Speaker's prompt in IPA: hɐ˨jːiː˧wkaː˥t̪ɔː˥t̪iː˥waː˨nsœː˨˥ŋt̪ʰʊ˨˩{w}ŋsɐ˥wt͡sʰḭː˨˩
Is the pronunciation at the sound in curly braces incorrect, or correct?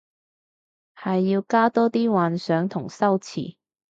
incorrect: none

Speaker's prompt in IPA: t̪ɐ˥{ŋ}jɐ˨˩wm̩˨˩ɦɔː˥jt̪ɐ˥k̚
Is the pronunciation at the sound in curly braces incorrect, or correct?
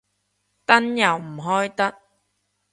incorrect: n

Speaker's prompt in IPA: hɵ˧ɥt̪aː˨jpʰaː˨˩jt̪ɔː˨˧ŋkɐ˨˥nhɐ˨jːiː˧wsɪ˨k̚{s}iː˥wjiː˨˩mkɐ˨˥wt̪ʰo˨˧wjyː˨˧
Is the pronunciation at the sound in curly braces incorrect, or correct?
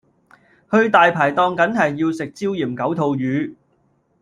incorrect: t͡s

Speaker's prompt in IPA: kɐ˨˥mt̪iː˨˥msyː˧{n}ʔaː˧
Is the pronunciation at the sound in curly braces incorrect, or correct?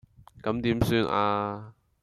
correct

